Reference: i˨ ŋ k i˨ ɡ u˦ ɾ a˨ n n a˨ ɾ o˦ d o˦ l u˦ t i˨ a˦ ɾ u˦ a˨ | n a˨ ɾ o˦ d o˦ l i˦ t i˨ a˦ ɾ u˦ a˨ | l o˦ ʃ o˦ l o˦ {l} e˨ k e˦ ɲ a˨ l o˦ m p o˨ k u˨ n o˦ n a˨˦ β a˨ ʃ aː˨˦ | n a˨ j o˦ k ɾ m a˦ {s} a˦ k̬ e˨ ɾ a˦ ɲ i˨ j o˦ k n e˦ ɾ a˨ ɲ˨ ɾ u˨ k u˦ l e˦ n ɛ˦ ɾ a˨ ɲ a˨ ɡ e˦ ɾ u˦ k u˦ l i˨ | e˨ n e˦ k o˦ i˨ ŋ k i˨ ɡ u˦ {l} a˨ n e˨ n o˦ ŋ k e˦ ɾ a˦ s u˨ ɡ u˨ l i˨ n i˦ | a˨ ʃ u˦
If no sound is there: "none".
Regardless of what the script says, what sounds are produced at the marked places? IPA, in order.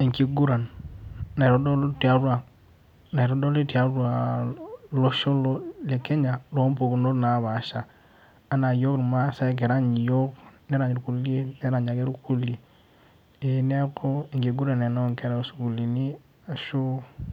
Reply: l, s, ɾ

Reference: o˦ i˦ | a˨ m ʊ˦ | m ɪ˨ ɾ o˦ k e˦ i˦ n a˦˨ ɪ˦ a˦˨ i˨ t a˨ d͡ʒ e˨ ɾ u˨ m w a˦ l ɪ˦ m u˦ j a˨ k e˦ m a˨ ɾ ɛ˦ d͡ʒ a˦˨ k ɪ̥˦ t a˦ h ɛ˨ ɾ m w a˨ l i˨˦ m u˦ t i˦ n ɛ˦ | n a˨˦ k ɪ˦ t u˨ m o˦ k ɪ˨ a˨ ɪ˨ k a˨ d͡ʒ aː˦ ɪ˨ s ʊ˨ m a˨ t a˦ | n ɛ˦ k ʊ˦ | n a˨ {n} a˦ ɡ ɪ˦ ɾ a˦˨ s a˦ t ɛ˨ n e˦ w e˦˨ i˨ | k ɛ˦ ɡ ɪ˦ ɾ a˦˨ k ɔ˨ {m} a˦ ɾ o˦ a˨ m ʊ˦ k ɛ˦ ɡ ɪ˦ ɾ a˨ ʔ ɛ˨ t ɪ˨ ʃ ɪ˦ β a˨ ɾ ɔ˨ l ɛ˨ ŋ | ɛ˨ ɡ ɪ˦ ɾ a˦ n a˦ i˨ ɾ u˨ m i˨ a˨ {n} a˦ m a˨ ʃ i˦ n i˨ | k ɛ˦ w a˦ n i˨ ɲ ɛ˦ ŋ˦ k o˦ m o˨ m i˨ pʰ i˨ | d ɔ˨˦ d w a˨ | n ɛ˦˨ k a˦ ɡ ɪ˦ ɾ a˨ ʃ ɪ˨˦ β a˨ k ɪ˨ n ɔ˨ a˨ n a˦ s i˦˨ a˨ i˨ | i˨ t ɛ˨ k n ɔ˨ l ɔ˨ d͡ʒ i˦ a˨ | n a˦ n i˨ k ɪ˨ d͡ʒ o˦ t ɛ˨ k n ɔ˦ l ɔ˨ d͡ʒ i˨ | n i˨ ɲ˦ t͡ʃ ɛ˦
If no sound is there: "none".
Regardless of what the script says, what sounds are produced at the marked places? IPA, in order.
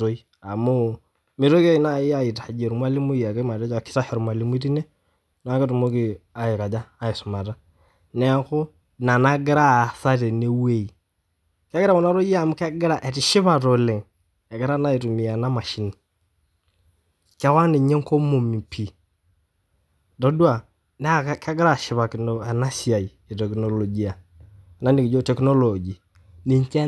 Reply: n, n, n

